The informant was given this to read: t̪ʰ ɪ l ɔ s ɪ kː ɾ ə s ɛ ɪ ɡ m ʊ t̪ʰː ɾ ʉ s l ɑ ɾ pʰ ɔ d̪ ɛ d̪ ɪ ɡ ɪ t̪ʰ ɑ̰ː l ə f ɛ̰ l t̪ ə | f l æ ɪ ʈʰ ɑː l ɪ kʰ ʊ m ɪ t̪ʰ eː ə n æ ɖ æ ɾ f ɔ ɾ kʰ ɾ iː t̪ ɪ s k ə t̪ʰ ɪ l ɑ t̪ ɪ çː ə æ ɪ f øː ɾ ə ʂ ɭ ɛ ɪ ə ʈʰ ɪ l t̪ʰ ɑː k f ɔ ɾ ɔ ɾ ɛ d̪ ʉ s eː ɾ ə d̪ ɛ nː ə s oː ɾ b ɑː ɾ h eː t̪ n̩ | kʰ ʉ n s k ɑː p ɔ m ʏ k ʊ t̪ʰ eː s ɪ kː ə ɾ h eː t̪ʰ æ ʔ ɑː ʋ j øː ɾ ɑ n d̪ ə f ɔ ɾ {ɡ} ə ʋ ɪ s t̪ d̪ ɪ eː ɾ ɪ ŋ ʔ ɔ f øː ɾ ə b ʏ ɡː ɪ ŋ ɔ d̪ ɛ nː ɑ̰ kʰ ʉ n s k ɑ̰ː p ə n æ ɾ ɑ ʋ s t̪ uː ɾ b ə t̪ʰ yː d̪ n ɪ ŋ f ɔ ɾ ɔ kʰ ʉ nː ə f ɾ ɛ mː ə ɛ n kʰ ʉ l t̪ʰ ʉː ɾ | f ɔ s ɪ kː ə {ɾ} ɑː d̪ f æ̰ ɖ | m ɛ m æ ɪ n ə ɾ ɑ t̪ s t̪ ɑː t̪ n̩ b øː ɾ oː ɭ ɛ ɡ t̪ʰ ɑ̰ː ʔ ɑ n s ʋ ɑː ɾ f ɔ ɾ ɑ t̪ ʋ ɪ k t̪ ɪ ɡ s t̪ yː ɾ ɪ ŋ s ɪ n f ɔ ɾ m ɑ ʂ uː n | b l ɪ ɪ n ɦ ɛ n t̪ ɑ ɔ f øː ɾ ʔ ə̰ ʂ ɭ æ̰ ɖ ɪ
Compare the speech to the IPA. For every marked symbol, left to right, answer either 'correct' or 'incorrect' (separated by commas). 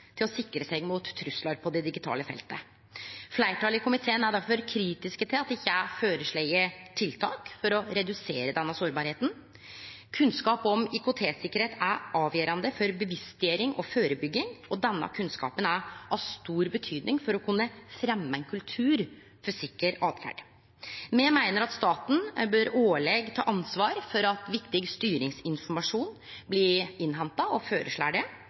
incorrect, correct